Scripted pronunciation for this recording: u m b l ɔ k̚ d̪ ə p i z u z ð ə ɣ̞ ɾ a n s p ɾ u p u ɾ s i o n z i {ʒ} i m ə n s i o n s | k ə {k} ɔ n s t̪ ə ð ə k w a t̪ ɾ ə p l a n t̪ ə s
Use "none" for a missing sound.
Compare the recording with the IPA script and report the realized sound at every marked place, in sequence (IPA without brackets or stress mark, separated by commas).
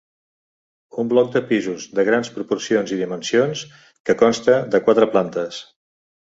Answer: ð, k